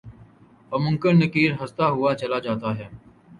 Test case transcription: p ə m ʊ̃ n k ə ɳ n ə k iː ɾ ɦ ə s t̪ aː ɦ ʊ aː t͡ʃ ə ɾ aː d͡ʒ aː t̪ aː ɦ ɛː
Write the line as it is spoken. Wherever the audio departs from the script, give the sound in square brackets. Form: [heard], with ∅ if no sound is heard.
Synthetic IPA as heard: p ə m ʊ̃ [ŋ] k ə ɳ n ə k iː ɾ ɦ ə s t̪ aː ɦ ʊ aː t͡ʃ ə [l] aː d͡ʒ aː t̪ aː ɦ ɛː